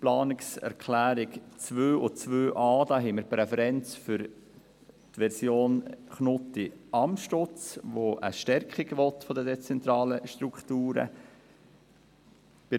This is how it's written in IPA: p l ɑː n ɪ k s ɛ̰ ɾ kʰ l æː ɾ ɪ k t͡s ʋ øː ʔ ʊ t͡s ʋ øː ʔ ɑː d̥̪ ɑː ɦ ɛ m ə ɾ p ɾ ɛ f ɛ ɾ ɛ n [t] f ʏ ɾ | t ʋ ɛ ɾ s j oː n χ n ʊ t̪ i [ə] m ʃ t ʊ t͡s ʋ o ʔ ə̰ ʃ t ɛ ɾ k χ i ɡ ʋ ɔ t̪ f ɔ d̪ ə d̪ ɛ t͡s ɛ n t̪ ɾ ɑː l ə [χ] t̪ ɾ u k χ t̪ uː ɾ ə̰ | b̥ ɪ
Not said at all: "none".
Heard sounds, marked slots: t͡s, ɑ, ʃ

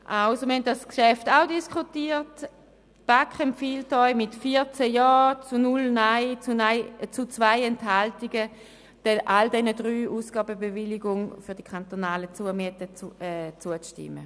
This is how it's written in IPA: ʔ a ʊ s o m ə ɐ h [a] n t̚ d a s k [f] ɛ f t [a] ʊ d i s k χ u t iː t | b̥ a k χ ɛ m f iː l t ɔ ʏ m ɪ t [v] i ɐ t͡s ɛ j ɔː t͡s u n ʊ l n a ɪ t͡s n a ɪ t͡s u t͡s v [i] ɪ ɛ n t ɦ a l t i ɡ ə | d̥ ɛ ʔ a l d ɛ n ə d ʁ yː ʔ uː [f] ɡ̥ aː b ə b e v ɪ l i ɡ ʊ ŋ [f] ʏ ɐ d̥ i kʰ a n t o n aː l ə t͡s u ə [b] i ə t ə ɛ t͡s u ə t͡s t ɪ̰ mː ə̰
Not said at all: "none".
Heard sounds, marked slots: ɛ, ʃ, a, f, a, s, f, m

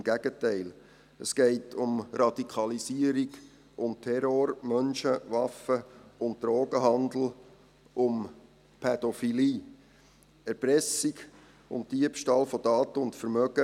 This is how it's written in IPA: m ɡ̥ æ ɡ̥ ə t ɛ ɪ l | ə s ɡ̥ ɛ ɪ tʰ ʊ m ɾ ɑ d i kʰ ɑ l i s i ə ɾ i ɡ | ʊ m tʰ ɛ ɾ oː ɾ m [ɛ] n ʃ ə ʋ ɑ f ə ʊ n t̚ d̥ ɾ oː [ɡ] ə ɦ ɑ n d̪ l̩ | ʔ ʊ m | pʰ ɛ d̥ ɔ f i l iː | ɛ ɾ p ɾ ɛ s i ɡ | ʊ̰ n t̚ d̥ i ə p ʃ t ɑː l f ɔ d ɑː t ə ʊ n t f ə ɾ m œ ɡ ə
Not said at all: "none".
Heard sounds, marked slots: œ, ɡ

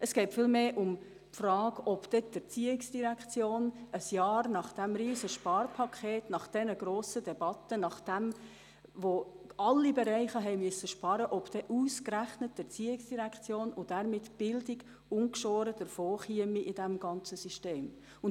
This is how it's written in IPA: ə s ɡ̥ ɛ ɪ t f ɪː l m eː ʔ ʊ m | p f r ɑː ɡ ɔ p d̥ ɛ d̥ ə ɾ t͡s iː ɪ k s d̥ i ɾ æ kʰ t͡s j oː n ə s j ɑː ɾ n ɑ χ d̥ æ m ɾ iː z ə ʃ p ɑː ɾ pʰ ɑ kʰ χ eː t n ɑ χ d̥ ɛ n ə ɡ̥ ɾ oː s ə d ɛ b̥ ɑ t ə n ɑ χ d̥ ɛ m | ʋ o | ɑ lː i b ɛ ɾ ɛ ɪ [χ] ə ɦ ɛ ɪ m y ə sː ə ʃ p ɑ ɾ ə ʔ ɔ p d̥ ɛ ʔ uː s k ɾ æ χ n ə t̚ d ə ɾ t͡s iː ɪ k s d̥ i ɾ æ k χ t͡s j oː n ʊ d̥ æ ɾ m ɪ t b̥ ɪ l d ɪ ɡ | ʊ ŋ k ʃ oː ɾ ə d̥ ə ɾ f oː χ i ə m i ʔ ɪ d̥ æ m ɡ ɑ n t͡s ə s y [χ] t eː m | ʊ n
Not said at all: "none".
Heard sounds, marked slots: χ, ʃ

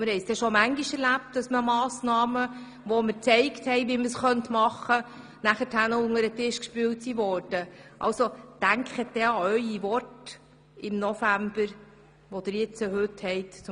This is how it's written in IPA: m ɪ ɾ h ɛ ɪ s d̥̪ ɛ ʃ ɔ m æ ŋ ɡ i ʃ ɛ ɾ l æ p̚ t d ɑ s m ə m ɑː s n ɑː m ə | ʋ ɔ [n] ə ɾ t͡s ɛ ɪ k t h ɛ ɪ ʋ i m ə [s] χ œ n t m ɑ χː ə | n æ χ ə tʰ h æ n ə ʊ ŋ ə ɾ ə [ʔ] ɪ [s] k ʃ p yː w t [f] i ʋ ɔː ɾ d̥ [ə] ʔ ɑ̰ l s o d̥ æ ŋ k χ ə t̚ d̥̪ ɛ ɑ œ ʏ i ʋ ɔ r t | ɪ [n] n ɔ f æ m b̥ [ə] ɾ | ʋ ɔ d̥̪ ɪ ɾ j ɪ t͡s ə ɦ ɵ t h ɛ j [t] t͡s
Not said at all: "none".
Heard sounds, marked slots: m, s, t, ʃ, s, ə, m, ə, t

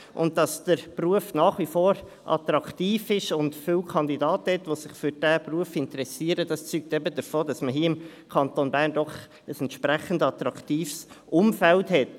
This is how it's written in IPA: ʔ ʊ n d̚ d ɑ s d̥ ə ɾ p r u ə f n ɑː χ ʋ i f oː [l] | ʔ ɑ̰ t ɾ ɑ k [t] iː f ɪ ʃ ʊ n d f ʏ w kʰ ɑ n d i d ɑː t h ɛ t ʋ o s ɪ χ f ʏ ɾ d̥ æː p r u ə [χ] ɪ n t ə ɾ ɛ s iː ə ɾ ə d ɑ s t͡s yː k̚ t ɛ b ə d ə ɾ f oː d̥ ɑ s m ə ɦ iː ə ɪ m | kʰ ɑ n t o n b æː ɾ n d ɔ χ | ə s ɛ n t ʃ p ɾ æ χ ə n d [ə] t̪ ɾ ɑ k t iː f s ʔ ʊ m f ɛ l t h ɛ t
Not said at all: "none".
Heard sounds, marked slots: ɾ, t, f, ɑ

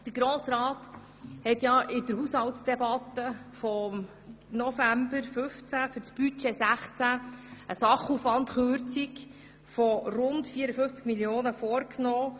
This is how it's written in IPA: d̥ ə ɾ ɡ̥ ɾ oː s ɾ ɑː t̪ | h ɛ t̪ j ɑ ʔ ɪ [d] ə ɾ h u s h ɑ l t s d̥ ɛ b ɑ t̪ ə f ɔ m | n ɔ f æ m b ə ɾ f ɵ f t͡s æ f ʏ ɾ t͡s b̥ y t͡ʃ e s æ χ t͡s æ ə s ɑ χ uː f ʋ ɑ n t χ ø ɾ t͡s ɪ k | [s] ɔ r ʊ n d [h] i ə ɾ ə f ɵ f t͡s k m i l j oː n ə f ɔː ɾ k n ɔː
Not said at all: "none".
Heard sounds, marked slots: d, f, f

